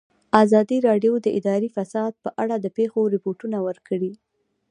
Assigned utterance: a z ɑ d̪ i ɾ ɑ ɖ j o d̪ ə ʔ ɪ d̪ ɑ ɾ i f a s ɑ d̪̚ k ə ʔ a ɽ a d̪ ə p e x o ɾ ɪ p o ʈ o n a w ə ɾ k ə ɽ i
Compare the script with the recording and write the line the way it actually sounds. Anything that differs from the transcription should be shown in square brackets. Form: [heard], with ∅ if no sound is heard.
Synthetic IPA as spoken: a z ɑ d̪ i ɾ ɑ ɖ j o d̪ ə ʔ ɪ d̪ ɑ ɾ i f a s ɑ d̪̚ [p] ə ʔ a ɽ a d̪ ə p e x o ɾ ɪ p o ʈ [u] n a w ə ɾ k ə ɽ i